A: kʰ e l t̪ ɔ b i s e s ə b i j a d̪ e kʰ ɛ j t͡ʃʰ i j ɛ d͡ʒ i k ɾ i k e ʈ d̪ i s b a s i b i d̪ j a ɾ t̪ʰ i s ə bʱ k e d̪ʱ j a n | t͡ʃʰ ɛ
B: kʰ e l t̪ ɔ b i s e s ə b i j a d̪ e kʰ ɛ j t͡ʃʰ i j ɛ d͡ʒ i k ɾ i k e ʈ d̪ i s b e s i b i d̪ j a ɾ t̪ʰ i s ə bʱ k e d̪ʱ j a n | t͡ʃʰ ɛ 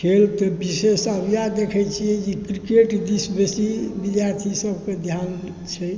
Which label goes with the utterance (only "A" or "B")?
B